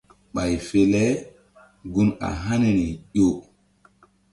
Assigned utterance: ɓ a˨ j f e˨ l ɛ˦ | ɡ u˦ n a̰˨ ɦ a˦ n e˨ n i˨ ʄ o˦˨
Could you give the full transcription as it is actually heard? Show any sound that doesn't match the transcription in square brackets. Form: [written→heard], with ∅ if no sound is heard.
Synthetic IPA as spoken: ɓ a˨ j f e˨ l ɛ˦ | ɡ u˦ n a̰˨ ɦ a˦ n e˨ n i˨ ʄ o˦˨